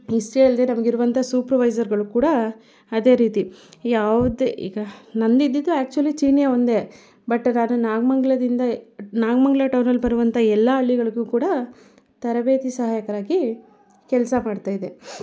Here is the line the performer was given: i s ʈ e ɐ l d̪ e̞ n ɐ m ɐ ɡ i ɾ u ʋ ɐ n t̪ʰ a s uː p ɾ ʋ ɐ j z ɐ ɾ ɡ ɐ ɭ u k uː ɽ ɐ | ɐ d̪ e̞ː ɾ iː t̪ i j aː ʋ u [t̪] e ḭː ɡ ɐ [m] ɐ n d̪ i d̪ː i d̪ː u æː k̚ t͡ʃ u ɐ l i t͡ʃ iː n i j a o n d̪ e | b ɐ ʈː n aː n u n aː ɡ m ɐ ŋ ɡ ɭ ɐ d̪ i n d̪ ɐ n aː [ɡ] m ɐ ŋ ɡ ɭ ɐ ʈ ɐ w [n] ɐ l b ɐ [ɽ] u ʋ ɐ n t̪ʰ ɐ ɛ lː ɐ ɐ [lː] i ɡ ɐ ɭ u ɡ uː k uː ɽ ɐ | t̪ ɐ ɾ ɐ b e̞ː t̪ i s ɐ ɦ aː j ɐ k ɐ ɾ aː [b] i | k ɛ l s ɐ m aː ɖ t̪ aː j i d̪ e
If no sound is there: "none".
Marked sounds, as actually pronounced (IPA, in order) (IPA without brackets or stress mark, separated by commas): d̪, n, ɡ, n, ɾ, ɭː, ɡ